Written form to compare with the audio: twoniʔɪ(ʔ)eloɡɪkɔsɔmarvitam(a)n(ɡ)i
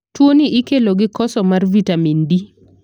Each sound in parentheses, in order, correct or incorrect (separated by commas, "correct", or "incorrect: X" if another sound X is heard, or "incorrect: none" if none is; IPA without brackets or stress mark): incorrect: k, incorrect: i, incorrect: d